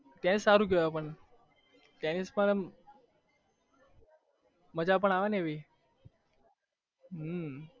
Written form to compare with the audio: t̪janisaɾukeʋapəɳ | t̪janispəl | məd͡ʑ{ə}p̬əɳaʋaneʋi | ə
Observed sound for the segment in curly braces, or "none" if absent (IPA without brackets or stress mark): a